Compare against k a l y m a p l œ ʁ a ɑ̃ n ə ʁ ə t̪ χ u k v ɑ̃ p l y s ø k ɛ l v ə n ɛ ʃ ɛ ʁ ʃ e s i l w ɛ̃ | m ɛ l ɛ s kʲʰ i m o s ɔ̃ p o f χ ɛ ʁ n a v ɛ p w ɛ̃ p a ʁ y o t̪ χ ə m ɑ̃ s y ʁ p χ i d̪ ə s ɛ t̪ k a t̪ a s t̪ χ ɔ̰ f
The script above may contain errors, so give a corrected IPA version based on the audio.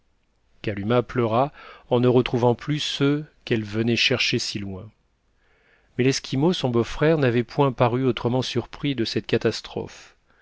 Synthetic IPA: k a l y m a p l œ ʁ a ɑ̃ n ə ʁ ə t̪ χ u v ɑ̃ p l y s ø k ɛ l v ə n ɛ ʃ ɛ ʁ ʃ e s i l w ɛ̃ | m ɛ l ɛ s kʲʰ i m o s ɔ̃ b o f χ ɛ ʁ n a v ɛ p w ɛ̃ p a ʁ y o t̪ χ ə m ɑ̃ s y ʁ p χ i d̪ ə s ɛ t̪ k a t̪ a s t̪ χ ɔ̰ f